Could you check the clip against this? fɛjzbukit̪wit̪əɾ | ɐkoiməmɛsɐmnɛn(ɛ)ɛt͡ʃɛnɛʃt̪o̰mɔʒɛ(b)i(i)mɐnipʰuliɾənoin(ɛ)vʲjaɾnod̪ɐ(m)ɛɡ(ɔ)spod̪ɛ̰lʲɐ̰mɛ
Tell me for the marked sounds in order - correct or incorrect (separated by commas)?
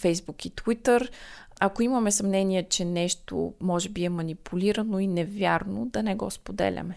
incorrect, correct, incorrect, correct, incorrect, correct